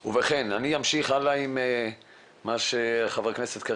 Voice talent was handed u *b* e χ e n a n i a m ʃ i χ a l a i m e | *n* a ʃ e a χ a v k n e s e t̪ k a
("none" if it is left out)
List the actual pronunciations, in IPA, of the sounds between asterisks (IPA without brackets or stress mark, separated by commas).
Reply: v, m